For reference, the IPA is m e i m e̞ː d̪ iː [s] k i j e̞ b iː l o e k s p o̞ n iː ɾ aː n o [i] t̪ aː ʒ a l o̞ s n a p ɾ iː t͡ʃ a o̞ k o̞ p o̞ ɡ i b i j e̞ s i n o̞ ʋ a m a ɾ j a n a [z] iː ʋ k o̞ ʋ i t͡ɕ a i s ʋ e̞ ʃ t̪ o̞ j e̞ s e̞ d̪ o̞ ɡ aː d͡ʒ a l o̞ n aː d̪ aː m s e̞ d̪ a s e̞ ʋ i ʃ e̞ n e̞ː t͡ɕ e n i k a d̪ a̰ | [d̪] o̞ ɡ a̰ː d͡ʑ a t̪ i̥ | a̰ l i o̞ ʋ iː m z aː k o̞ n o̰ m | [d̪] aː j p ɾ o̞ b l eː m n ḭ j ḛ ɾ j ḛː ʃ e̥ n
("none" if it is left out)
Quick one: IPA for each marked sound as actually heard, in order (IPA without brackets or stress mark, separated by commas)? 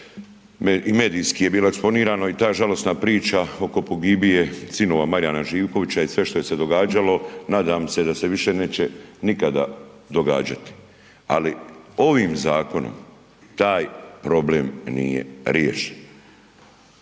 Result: s, i, ʒ, d̪, t̪